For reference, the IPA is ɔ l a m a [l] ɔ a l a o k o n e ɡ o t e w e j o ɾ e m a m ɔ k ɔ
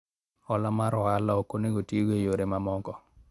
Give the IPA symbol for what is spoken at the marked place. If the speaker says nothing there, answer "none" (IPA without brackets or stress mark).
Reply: ɾ